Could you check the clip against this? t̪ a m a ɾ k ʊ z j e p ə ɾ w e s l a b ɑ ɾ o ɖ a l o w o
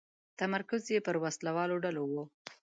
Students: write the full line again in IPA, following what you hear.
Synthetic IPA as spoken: t̪ a m a ɾ k ʊ z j e p ə ɾ w a s l a w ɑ l o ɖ a l o w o